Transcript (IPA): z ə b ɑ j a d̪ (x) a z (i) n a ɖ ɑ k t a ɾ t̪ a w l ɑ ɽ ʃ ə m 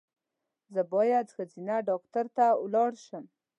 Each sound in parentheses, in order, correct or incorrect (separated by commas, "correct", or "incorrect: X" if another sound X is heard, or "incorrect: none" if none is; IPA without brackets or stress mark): correct, correct